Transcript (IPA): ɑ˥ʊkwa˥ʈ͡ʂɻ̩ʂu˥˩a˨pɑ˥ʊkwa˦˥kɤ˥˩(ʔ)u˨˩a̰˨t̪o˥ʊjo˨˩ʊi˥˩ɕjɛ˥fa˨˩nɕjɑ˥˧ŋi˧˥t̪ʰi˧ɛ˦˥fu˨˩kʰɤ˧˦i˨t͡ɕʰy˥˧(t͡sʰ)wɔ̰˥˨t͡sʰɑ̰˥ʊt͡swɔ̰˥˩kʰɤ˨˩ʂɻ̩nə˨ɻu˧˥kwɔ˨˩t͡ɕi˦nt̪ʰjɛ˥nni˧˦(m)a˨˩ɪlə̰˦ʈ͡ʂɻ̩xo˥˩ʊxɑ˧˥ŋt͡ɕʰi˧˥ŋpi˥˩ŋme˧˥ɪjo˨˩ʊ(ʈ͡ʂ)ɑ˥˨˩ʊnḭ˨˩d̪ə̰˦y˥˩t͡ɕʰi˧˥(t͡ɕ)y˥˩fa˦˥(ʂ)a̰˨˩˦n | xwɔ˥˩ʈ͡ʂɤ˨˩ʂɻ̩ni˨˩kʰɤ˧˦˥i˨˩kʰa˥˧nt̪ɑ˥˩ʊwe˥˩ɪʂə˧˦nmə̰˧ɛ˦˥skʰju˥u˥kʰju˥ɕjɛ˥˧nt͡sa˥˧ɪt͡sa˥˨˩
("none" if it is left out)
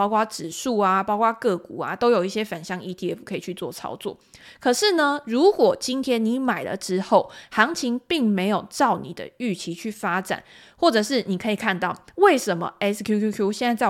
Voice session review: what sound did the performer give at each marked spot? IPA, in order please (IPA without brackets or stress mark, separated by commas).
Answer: k, t͡s, m, ʈ͡ʂ, t͡ɕʰ, ʈ͡ʂ